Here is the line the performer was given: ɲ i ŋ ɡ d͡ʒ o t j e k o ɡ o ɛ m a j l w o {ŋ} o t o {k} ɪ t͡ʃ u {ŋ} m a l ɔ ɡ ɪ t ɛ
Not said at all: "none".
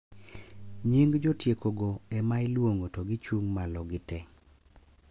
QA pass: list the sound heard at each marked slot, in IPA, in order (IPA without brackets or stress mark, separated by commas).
ŋ, ɡ, ŋ